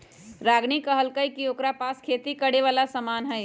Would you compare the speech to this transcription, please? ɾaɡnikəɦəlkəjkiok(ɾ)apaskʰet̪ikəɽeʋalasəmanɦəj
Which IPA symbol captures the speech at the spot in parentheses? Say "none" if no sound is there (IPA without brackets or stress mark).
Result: ɾ